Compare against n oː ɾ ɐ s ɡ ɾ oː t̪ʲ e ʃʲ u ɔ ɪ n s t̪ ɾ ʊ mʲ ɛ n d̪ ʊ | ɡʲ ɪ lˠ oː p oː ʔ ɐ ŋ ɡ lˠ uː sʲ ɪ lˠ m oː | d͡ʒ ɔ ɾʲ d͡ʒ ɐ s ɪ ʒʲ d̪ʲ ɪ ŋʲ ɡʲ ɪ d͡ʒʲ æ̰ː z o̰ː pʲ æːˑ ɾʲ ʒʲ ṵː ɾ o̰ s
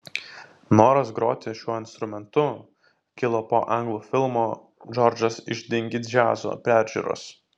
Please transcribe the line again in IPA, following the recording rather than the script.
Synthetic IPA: n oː ɾ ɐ s ɡ ɾ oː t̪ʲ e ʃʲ u ɔ ɪ n s t̪ ɾ ʊ mʲ ɛ n t̪ ʊ | kʲ ɪ lˠ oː p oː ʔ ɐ ŋ ɡ lˠ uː fʲ ɪ lˠ m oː | d͡ʒ ɔ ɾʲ d͡ʒ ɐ s ɪ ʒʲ d̪ʲ ɪ ŋʲ ɡʲ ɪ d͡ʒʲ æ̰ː z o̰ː pʲ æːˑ ɾʲ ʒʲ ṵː ɾ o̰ s